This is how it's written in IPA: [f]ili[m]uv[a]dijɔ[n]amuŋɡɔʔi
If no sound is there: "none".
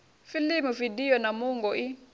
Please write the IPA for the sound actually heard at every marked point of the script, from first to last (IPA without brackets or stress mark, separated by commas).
f, m, i, n